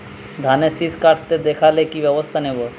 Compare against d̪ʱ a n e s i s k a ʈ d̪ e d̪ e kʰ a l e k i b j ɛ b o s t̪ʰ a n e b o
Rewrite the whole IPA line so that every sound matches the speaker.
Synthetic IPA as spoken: d̪ʱ a n e s i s k a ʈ t̪ e d̪ e kʰ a l e k i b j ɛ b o s t̪ʰ a n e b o

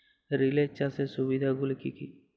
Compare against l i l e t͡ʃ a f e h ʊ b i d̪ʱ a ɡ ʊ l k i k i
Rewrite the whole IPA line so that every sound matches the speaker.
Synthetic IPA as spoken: ɾ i l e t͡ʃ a s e s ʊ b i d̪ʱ a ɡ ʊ l k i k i

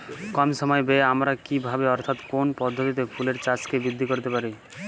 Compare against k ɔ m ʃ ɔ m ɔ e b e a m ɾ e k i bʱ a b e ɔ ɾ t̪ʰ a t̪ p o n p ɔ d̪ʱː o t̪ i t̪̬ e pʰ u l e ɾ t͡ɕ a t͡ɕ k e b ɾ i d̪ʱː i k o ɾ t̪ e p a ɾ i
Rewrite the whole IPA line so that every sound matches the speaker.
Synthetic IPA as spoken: k ɔ m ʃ ɔ m ɔ e b e a m ɾ a k i bʱ a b e ɔ ɾ t̪ʰ a t̪ k o n p ɔ d̪ʱː o t̪ i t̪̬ e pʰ u l e ɾ t͡ɕ a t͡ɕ k e b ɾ i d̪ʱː i k o ɾ t̪ e p a ɾ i

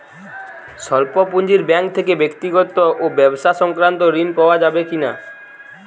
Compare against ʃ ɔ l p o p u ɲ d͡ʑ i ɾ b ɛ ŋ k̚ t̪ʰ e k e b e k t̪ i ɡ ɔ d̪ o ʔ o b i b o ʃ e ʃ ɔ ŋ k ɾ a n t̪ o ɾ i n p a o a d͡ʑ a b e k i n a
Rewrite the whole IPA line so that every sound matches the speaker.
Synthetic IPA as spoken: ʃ ɔ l p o p u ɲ d͡ʑ i ɾ b ɛ ŋ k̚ t̪ʰ e k e b e k t̪ i ɡ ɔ t̪ o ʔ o b ɛ b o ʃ a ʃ ɔ ŋ k ɾ a n t̪ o ɾ i n p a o a d͡ʑ a b e k i n a

